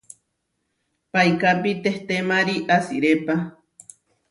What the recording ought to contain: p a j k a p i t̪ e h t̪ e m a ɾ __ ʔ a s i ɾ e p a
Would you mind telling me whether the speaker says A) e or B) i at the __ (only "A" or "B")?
B